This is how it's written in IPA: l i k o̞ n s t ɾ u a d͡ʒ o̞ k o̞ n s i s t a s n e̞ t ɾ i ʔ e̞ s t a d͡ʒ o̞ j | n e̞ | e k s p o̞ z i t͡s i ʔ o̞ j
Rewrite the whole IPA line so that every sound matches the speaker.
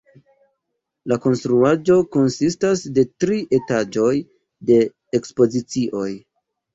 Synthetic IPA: l a k o̞ n s t ɾ u a d͡ʒ o̞ k o̞ n s i s t a s d e̞ t ɾ i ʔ e̞ t a d͡ʒ o̞ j | d e̞ | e k s p o̞ z i t͡s i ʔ o̞ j